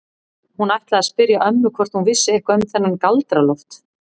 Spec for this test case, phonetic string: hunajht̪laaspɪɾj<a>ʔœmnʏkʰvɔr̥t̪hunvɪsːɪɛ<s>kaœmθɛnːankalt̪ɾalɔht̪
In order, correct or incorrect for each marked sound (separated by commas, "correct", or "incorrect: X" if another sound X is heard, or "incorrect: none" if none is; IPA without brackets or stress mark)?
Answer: correct, incorrect: h